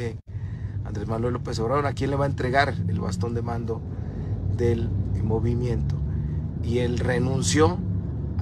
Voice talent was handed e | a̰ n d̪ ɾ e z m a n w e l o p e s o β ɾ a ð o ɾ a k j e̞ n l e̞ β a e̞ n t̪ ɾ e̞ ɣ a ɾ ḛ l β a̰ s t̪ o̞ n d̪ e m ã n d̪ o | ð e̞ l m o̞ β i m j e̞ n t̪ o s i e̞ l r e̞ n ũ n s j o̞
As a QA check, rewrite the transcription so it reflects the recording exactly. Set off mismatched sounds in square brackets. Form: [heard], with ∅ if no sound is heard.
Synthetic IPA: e | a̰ n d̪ ɾ e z m a n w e l o p e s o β ɾ a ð o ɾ a k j e̞ n l e̞ β a e̞ n t̪ ɾ e̞ ɣ a ɾ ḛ l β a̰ s t̪ o̞ n d̪ e m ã n d̪ o | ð e̞ l m o̞ β i m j e̞ n t̪ o [∅] i e̞ l r e̞ n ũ n s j o̞